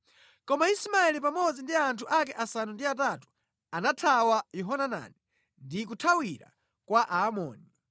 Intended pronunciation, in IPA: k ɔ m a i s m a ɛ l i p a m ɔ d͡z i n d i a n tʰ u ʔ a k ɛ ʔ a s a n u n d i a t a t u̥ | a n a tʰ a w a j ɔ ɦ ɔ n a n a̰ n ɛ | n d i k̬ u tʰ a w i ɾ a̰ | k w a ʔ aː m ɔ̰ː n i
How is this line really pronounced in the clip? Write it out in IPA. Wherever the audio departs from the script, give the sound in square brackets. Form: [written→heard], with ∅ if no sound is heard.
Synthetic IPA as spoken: k ɔ m a i s m a ɛ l i p a m ɔ d͡z i n d i a n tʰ u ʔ a k ɛ ʔ a s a n u n d i a t a t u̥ | a n a tʰ a w a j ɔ ɦ ɔ n a n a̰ n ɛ | n d i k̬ u tʰ a w i ɾ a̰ | k w a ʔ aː m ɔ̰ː n i